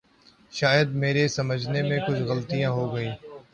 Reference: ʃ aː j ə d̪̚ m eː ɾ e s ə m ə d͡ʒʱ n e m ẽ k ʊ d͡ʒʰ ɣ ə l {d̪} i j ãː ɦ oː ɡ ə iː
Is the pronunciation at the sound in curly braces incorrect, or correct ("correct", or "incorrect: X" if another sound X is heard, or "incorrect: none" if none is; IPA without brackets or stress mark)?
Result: incorrect: t̪